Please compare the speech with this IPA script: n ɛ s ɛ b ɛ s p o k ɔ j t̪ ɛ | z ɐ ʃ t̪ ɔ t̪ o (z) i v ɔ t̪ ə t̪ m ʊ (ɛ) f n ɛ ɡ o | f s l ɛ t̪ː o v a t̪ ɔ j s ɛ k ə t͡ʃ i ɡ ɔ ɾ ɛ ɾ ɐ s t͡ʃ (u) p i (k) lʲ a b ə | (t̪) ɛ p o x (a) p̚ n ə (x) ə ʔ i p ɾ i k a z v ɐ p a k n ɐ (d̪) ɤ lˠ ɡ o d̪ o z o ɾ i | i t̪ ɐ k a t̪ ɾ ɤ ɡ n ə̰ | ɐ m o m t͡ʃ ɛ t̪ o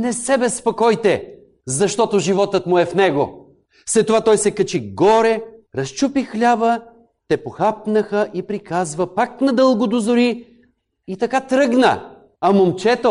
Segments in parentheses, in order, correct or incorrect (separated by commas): incorrect, correct, correct, incorrect, correct, correct, correct, correct